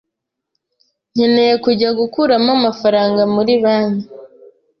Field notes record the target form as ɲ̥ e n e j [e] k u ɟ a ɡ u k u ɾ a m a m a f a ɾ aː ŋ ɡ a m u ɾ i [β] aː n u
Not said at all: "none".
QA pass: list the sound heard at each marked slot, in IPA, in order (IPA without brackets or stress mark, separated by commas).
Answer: e, β